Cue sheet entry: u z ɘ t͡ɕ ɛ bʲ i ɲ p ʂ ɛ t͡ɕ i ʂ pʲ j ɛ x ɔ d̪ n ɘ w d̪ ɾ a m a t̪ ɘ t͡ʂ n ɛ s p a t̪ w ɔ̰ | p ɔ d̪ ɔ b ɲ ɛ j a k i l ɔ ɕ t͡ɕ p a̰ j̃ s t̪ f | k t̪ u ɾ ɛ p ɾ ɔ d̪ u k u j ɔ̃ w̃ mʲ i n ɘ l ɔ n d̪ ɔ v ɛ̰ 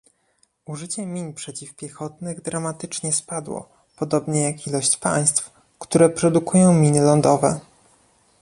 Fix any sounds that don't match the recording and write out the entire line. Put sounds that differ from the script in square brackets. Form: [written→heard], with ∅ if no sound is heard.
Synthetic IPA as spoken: u [z→ʐ] ɘ t͡ɕ ɛ [bʲ→mʲ] i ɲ p ʂ ɛ t͡ɕ i [ʂ→f] pʲ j ɛ x ɔ [d̪→t̪] n ɘ [w→ɣ] d̪ ɾ a m a t̪ ɘ t͡ʂ [n→ɲ] ɛ s p a [t̪→d̪] w ɔ̰ | p ɔ d̪ ɔ b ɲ ɛ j a k i l ɔ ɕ t͡ɕ p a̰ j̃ s t̪ f | k t̪ u ɾ ɛ p ɾ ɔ d̪ u k u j ɔ̃ w̃ mʲ i n ɘ l ɔ n d̪ ɔ v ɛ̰